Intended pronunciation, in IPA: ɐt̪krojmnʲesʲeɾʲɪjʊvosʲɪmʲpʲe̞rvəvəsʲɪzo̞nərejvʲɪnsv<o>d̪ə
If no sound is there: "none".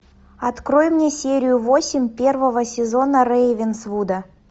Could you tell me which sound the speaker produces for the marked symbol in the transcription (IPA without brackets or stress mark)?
u